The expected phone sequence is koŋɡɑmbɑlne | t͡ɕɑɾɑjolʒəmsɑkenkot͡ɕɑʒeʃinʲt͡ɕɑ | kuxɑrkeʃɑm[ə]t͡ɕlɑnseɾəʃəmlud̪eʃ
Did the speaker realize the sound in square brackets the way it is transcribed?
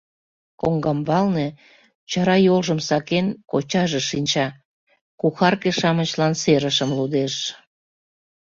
yes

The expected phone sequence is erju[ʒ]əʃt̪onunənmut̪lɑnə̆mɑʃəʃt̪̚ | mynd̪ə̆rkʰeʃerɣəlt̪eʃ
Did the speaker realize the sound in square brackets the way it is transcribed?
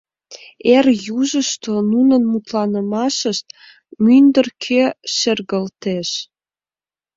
yes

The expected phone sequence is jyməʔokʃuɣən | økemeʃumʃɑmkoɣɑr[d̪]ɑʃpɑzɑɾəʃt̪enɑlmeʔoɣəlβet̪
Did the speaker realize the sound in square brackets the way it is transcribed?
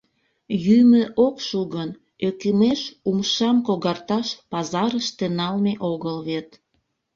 no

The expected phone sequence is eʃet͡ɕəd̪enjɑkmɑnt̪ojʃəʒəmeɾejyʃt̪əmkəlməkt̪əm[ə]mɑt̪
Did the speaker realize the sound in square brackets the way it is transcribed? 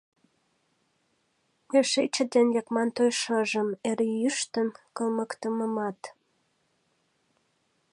yes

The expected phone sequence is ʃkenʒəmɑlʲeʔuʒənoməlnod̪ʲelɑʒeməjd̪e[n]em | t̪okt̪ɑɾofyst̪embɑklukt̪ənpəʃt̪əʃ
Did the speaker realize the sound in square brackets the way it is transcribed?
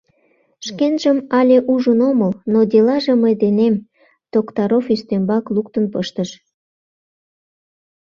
yes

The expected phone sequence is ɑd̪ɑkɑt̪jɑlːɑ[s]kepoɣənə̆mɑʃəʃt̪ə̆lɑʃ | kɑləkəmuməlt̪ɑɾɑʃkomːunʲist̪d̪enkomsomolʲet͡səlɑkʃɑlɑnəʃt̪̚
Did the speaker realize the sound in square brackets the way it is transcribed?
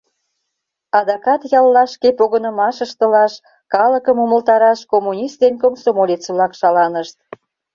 no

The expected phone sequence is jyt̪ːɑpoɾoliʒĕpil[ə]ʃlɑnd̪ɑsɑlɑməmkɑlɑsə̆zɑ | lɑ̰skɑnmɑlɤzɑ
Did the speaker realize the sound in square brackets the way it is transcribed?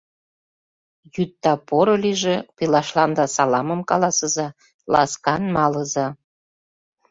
no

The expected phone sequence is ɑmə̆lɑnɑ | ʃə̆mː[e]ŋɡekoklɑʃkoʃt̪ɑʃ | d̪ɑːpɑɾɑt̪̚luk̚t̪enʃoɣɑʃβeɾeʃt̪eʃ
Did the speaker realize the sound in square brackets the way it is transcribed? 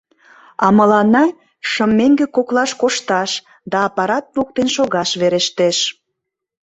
yes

